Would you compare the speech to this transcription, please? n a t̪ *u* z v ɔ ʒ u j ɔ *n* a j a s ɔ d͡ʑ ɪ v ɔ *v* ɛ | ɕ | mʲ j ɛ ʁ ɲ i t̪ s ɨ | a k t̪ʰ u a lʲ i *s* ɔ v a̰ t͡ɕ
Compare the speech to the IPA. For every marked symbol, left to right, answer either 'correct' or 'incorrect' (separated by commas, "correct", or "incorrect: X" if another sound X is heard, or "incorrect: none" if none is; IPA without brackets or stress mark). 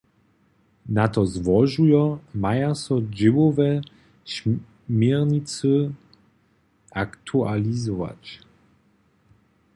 incorrect: ɔ, incorrect: m, correct, incorrect: z